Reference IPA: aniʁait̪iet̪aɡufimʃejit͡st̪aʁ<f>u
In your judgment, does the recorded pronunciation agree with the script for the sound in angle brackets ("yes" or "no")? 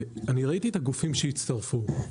yes